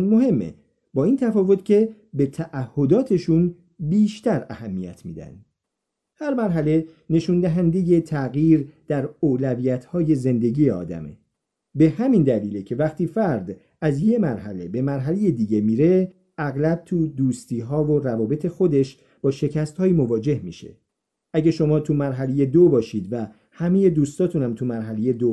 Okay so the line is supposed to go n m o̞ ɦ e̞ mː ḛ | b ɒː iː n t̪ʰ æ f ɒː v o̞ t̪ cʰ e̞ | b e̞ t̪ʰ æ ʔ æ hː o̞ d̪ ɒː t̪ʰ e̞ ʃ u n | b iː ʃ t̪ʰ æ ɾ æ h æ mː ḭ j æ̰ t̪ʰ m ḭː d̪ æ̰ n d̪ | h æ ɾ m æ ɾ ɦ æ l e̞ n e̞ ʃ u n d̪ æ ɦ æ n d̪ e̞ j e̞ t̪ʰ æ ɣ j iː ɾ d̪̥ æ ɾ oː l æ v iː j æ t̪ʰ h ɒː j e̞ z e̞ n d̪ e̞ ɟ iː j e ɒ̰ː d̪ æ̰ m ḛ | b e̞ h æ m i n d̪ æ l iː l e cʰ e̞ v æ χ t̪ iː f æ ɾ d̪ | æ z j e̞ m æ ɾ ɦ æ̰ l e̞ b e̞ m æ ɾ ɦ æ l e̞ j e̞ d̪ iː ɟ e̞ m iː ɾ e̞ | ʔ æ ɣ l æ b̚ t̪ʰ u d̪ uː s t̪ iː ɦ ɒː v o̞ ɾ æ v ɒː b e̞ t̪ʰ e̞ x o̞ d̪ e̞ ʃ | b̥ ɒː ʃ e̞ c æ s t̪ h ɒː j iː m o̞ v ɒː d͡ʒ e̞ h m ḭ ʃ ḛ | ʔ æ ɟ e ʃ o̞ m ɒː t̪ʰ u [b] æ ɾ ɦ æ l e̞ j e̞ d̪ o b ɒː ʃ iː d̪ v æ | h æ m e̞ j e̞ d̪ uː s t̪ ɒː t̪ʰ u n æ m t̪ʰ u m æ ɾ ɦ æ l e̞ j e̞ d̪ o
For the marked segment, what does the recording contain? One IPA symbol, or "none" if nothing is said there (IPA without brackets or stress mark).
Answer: m